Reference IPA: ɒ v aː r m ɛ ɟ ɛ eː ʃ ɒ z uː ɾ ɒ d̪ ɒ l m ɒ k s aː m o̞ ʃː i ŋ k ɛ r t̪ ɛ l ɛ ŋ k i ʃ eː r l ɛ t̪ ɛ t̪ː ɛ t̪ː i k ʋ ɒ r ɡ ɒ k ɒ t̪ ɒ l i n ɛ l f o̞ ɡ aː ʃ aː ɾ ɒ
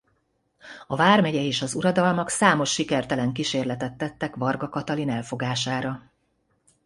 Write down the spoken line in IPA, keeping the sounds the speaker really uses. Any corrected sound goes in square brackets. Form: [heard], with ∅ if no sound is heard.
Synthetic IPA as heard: ɒ v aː r m ɛ ɟ ɛ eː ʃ ɒ z [u] ɾ ɒ d̪ ɒ l m ɒ k s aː m o̞ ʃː i [∅] k ɛ r t̪ ɛ l ɛ ŋ k i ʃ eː r l ɛ t̪ ɛ t̪ː ɛ t̪ː [ɛ] k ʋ ɒ r ɡ ɒ k ɒ t̪ ɒ l i n ɛ l f o̞ ɡ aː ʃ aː ɾ ɒ